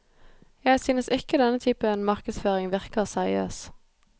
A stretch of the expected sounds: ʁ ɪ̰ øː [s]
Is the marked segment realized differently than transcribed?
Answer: no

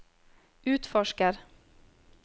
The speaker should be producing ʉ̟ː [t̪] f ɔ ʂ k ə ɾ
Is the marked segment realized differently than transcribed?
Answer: no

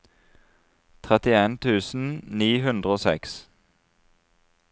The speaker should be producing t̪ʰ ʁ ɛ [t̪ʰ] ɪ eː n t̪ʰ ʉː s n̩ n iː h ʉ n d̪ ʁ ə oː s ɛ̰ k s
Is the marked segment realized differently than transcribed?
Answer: yes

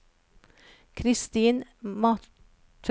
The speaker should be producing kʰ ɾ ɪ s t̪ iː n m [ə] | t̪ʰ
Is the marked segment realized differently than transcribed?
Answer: yes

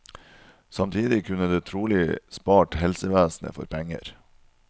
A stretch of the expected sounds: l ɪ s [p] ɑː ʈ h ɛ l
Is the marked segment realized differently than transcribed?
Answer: no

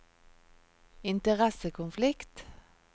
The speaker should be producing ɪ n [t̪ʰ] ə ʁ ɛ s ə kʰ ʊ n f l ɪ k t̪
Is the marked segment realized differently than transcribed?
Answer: yes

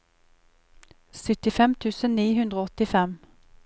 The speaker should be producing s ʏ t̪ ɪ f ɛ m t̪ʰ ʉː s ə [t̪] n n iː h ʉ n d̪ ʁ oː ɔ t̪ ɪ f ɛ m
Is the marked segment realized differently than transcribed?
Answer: yes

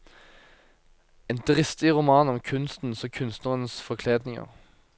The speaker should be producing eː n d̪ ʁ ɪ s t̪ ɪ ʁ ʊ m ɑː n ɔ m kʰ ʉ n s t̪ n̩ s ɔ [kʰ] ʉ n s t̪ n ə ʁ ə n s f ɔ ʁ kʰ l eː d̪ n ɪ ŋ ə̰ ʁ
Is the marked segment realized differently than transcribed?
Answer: no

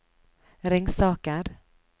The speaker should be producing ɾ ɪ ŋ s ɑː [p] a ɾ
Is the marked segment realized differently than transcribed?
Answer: yes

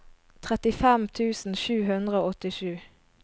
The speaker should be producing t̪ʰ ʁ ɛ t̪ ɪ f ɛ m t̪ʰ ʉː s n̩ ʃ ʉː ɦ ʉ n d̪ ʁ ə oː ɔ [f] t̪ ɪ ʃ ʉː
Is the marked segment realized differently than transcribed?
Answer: yes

